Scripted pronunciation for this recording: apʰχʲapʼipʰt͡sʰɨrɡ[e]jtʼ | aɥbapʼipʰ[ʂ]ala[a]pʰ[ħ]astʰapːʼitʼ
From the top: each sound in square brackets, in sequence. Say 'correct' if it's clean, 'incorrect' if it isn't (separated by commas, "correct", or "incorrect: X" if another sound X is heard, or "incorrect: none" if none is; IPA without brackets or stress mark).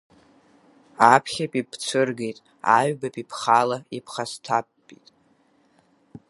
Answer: correct, incorrect: χ, incorrect: i, incorrect: χ